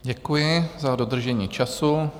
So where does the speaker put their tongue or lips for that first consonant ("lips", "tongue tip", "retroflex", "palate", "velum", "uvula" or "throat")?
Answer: palate